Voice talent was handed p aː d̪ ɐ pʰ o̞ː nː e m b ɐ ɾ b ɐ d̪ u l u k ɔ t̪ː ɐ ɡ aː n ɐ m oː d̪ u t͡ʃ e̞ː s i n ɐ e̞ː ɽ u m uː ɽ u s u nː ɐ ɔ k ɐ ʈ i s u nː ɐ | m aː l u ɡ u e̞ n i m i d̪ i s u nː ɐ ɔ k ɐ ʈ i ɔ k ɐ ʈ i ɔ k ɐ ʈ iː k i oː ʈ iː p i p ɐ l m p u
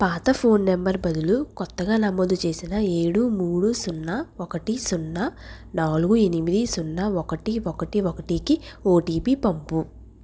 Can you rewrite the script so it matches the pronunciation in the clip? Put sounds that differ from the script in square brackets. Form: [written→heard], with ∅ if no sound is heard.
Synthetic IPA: p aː [d̪→t̪] ɐ pʰ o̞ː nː e m b ɐ ɾ b ɐ d̪ u l u k ɔ t̪ː ɐ ɡ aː n ɐ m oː d̪ u t͡ʃ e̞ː s i n ɐ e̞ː ɽ u m uː ɽ u s u nː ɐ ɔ k ɐ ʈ i s u nː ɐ | [m→n] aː l u ɡ u e̞ n i m i d̪ i s u nː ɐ ɔ k ɐ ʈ i ɔ k ɐ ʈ i ɔ k ɐ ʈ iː k i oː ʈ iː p i p ɐ [l→∅] m p u